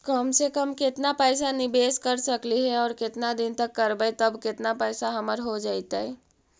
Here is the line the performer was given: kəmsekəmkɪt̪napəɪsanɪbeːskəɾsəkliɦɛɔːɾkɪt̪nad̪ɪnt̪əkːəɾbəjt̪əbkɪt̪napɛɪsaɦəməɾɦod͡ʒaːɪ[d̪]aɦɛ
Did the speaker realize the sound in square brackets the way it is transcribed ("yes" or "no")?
no